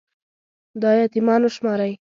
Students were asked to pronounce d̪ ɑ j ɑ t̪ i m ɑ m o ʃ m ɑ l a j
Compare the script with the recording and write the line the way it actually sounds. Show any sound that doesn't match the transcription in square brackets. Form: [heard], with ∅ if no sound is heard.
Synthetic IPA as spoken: d̪ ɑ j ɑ t̪ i m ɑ [n] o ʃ m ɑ [ɾ] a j